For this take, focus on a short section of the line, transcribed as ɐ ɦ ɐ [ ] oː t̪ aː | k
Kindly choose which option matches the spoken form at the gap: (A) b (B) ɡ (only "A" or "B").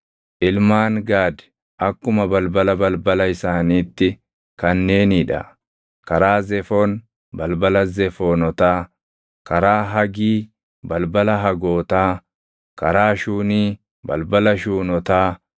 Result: B